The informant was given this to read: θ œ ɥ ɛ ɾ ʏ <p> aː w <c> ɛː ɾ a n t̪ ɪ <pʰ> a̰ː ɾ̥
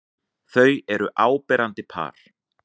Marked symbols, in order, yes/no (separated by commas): no, no, yes